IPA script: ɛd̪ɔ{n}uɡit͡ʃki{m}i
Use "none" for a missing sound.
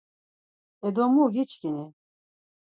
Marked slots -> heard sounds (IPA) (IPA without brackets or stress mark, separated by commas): m, n